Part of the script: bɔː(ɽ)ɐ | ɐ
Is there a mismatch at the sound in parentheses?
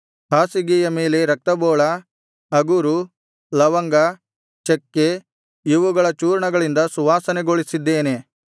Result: yes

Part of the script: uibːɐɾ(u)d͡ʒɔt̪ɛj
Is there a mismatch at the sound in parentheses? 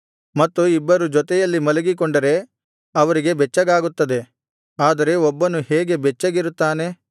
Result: no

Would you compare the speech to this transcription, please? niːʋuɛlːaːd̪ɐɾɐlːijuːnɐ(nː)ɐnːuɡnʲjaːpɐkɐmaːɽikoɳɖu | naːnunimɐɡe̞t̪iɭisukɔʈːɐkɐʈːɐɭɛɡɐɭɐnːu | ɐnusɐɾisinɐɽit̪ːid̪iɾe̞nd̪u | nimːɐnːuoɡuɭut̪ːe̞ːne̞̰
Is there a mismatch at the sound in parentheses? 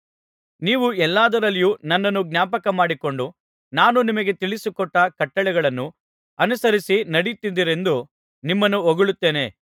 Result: no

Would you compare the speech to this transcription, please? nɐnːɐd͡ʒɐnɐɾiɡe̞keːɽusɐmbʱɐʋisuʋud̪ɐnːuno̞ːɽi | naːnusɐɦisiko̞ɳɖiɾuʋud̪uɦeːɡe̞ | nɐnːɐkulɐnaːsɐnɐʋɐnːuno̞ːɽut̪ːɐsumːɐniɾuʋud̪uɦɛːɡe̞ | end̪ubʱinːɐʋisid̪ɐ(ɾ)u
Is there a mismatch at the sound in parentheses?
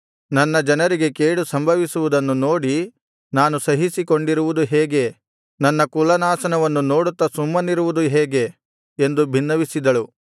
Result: yes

